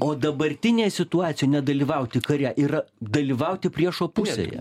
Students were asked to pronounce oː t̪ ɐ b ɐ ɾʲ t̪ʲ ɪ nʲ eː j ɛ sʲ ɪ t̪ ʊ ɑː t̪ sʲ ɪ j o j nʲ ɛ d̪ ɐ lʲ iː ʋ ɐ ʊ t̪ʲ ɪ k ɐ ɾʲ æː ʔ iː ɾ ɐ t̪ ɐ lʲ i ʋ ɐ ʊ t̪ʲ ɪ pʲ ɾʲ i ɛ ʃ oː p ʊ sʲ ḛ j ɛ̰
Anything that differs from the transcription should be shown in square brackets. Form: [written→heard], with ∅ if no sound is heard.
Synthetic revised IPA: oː [t̪→d̪] ɐ b ɐ ɾʲ t̪ʲ ɪ nʲ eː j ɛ sʲ ɪ t̪ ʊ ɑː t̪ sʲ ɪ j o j nʲ ɛ d̪ ɐ lʲ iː ʋ ɐ ʊ t̪ʲ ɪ k ɐ ɾʲ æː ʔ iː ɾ ɐ [t̪→d̪] ɐ lʲ i ʋ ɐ ʊ t̪ʲ ɪ pʲ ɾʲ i ɛ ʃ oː p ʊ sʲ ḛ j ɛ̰